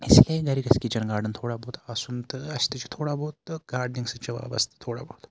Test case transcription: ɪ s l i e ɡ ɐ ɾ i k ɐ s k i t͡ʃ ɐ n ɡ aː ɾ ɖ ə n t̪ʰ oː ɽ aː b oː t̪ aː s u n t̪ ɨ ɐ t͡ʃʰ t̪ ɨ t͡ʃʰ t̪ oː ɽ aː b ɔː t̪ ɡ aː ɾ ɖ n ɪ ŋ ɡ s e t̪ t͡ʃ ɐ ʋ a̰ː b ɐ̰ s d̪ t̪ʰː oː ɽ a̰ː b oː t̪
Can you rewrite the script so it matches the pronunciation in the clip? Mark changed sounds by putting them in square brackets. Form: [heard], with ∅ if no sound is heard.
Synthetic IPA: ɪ s l i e ɡ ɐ ɾ i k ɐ s k i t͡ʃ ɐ n ɡ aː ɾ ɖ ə n t̪ʰ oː ɽ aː b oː t̪ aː s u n t̪ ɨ ɐ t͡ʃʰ t̪ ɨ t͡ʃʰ [t̪ʰ] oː ɽ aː b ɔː t̪ ɡ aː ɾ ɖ n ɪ ŋ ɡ s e [∅] t͡ʃ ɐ ʋ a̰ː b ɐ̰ s [t̪] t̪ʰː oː ɽ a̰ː b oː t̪